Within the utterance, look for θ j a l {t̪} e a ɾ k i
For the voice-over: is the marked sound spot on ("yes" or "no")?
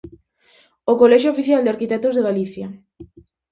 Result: no